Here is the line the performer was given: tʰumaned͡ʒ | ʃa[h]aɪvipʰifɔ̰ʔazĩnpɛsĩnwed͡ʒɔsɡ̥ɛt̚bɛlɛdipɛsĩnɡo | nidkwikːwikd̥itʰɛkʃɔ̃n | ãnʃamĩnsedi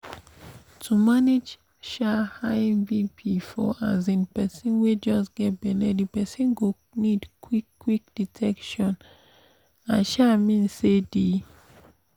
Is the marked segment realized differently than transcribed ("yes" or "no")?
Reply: no